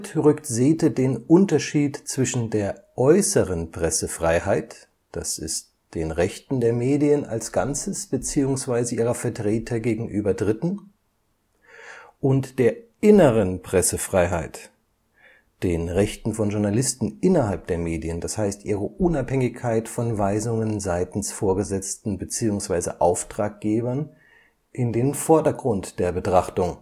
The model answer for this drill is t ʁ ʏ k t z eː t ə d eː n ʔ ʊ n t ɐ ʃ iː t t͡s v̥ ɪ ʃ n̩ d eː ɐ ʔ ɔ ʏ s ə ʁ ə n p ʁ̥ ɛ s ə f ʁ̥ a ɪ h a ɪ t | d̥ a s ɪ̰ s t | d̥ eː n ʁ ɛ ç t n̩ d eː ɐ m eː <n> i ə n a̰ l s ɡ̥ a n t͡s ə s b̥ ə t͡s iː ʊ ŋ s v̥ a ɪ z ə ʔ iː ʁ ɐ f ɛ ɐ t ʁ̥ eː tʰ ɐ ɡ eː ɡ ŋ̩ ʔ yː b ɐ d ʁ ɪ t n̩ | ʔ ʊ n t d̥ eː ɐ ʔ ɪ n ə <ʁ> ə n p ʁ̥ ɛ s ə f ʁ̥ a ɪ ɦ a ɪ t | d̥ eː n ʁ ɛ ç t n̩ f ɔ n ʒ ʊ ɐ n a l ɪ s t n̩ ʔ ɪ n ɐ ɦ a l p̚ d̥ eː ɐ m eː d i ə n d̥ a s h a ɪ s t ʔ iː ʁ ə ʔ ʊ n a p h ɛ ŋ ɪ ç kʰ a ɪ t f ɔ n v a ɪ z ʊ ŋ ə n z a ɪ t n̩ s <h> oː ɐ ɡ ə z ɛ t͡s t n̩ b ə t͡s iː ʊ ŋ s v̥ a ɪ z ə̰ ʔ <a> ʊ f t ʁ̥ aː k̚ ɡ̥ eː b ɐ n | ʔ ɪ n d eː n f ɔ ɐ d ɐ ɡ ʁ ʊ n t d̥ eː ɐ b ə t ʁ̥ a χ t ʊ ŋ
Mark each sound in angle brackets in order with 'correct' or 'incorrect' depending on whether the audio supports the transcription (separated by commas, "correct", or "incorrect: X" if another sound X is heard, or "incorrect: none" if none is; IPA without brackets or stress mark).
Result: incorrect: d, correct, incorrect: f, correct